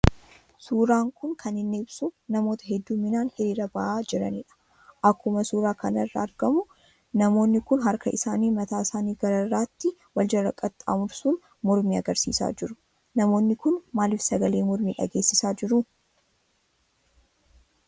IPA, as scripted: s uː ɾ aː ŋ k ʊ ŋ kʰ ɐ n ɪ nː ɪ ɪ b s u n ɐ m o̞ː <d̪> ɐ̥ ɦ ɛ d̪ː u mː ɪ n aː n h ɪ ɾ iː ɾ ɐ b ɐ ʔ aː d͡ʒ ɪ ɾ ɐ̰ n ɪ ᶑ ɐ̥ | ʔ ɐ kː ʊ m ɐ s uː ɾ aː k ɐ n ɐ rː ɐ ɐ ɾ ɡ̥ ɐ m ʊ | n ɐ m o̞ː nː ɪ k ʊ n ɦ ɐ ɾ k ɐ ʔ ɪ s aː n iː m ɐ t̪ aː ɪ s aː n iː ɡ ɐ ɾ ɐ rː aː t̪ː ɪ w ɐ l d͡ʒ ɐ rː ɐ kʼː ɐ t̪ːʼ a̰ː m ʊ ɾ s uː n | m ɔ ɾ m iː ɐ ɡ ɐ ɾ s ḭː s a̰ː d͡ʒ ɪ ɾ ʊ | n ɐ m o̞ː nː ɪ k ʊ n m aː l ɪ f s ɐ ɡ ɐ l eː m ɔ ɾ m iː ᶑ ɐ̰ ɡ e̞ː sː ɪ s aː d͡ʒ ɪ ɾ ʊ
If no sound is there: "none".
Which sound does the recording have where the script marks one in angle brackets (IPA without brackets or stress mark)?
t̪